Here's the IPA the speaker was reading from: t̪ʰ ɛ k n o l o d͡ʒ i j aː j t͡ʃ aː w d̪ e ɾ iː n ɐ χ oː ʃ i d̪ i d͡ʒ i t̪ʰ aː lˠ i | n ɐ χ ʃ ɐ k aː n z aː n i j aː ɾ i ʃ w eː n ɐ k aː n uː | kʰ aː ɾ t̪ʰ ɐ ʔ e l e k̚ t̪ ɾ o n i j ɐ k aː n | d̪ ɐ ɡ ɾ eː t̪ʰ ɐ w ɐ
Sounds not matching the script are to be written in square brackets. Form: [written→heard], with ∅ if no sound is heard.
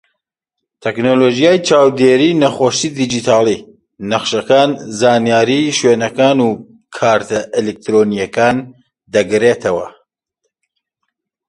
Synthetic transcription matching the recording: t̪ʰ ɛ k n o l o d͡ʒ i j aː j t͡ʃ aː w d̪ e ɾ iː n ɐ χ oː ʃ i d̪ i d͡ʒ i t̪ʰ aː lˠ i | n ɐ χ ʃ ɐ k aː n z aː n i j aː ɾ i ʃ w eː n ɐ k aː n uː | kʰ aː ɾ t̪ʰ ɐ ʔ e l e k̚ t̪ ɾ o n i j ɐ k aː n | d̪ ɐ ɡ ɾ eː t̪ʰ ɐ w ɐ